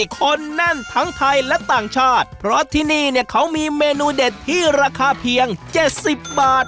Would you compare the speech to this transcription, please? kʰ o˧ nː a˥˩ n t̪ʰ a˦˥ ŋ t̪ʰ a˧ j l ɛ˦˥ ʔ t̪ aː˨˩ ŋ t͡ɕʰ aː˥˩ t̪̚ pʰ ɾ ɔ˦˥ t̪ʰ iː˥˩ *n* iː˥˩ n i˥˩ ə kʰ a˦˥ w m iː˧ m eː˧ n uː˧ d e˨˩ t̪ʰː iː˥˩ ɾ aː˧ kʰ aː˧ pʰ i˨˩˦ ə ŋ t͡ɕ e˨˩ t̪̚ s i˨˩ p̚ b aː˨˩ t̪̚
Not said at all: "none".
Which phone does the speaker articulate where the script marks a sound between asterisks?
n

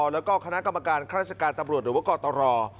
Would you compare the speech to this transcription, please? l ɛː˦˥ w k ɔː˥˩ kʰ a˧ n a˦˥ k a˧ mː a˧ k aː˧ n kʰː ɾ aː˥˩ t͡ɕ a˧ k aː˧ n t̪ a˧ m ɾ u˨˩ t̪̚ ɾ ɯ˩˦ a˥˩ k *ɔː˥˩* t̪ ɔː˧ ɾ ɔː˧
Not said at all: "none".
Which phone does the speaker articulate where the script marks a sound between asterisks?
ɔː˧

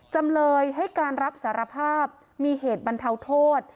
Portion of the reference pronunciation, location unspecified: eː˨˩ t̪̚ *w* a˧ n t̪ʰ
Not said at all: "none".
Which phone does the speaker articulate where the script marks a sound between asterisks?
b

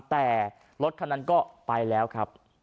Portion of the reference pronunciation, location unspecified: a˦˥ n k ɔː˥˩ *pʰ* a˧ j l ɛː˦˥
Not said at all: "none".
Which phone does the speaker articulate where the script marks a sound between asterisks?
p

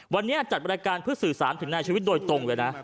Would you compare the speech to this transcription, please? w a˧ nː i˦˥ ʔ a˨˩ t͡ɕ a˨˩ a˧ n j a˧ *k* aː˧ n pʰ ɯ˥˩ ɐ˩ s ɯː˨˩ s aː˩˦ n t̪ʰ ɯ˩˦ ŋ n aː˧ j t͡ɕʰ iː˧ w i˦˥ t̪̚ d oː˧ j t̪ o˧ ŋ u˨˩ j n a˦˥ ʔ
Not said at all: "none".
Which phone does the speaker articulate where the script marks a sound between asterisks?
k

